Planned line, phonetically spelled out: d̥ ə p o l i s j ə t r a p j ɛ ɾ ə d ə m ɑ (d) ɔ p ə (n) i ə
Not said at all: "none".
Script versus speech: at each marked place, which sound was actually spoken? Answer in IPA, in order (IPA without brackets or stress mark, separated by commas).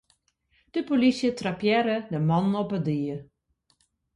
n, d